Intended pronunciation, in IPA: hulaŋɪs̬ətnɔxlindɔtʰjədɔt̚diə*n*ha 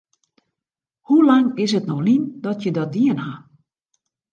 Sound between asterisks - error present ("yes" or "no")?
no